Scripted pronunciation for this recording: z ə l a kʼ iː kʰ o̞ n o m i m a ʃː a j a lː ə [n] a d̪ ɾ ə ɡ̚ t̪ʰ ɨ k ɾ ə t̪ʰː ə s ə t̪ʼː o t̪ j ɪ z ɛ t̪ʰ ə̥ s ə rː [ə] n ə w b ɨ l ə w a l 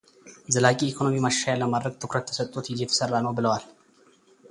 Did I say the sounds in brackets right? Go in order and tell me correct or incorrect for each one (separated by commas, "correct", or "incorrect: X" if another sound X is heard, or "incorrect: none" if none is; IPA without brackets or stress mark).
incorrect: m, incorrect: a